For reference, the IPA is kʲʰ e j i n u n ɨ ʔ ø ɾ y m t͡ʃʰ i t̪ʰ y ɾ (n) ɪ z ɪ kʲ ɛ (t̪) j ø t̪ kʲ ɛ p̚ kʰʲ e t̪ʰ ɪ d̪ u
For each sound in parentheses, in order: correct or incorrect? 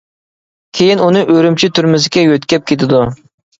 incorrect: m, incorrect: none

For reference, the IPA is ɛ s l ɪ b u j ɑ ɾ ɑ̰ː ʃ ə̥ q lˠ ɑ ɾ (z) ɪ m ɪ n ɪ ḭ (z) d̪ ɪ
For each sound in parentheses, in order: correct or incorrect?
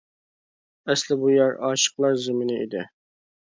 correct, incorrect: none

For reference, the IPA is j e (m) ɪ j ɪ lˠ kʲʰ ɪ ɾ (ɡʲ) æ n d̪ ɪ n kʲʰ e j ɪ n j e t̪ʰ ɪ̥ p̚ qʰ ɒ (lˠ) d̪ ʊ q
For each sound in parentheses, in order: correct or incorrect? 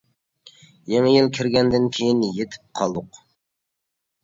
incorrect: ŋ, correct, correct

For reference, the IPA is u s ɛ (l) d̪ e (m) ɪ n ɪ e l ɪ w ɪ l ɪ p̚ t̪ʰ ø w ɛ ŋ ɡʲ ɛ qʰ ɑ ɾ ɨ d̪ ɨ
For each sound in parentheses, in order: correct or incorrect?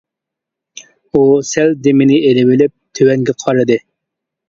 correct, correct

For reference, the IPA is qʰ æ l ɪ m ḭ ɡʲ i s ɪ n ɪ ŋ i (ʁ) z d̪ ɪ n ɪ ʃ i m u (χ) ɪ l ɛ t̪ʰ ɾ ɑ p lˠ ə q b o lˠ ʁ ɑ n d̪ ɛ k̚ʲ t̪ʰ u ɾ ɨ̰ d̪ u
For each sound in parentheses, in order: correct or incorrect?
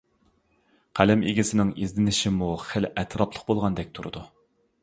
incorrect: none, correct

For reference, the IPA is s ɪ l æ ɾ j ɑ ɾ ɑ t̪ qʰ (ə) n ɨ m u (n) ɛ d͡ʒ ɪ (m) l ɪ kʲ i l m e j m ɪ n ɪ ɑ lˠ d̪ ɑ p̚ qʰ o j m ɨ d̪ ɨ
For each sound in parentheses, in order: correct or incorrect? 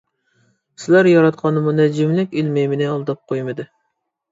incorrect: ɑ, correct, correct

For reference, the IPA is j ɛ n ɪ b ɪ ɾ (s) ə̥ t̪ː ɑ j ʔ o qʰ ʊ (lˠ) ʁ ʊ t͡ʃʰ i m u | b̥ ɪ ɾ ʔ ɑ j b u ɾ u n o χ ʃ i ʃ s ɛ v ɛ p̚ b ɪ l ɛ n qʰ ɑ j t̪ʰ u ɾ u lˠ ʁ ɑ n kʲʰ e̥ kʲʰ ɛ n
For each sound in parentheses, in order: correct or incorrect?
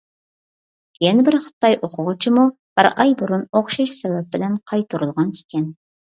incorrect: χ, incorrect: none

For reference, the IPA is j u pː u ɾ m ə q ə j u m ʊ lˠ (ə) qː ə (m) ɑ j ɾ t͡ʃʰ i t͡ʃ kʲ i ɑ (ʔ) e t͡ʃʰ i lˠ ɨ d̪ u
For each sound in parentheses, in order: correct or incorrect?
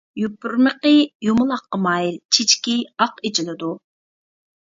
incorrect: ɑ, correct, incorrect: q

